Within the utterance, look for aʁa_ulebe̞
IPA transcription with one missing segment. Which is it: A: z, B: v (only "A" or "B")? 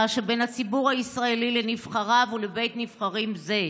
B